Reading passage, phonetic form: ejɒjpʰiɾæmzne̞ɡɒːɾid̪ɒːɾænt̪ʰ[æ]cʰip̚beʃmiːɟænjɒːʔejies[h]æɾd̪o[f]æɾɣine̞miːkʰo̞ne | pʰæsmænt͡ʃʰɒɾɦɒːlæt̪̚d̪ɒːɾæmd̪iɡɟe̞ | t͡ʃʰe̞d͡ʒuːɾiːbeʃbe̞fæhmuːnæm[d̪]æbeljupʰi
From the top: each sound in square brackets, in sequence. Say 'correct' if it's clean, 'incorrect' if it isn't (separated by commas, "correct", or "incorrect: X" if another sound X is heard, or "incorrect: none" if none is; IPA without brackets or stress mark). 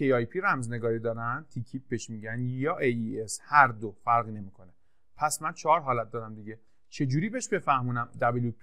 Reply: incorrect: i, correct, correct, correct